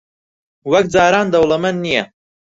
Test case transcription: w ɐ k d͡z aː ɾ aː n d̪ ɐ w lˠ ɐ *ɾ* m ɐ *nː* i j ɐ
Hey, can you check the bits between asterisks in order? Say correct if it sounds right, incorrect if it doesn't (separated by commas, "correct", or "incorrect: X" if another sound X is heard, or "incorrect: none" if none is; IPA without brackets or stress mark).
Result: incorrect: none, correct